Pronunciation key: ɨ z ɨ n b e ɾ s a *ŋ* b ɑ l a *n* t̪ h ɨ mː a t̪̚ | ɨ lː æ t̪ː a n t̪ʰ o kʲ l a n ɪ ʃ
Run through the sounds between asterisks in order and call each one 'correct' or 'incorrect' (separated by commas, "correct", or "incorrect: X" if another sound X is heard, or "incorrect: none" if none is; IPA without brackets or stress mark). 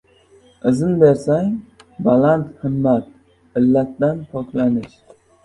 correct, correct